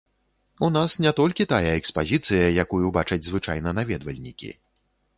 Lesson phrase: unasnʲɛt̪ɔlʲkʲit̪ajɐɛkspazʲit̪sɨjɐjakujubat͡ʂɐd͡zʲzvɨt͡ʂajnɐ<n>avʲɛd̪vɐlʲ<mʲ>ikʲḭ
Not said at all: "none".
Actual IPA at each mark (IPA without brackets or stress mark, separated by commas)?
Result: n, nʲ